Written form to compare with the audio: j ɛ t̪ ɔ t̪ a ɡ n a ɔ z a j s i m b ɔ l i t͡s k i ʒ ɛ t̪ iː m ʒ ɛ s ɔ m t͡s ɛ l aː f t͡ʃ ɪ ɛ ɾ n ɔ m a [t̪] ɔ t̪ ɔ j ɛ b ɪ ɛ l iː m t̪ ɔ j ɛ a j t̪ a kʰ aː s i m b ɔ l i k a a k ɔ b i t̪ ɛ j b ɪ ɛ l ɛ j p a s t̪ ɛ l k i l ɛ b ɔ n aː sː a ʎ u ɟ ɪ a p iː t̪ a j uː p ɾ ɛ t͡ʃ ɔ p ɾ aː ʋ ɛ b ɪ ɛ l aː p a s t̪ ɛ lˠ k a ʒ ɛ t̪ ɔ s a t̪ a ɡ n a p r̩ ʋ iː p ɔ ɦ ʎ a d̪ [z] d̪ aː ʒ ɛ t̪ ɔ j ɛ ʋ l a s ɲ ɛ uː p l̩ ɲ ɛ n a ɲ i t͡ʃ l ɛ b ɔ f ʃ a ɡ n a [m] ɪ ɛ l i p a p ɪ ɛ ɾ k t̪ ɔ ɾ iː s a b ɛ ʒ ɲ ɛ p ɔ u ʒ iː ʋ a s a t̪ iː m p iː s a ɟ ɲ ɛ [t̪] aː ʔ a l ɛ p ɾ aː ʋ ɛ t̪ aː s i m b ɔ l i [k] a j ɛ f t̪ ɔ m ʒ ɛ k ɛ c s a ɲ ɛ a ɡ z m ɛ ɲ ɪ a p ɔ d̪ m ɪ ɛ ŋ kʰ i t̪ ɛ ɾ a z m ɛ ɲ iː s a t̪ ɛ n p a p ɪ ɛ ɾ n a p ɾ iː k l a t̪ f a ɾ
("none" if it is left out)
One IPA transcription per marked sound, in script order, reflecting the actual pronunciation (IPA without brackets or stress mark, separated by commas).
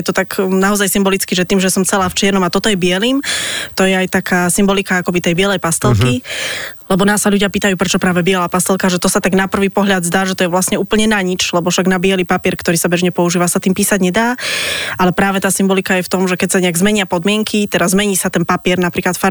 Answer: t̪, z, b, d̪, k